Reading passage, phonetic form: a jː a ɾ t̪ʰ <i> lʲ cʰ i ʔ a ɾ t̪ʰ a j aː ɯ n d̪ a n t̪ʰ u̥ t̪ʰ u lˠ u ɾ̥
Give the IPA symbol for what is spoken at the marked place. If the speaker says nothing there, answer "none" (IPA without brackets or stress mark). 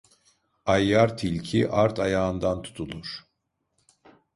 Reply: i